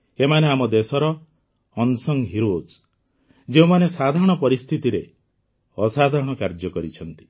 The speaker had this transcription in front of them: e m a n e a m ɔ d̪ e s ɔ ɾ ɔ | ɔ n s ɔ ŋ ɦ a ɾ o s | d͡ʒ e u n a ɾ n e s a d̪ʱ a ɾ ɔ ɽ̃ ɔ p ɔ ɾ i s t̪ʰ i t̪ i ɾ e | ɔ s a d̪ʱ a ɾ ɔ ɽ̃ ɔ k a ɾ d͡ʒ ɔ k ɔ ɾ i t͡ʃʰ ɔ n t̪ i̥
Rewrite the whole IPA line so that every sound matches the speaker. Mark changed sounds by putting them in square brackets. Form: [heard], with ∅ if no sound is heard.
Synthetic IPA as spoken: e m a n e a m ɔ d̪ e s ɔ ɾ ɔ | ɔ n s ɔ ŋ ɦ [i] ɾ o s | d͡ʒ e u [m] a [∅] n e s a d̪ʱ a ɾ ɔ ɽ̃ ɔ p ɔ ɾ i s t̪ʰ i t̪ i ɾ e | ɔ s a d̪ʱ a ɾ ɔ ɽ̃ ɔ k a ɾ d͡ʒ ɔ k ɔ ɾ i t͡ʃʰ ɔ n t̪ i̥